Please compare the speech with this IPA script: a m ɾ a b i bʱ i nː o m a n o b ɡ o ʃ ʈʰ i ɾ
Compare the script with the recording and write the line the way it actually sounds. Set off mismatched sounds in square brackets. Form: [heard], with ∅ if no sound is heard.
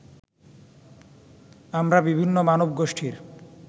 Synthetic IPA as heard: a m ɾ a b i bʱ i nː o m a n o b ɡ o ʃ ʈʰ i ɾ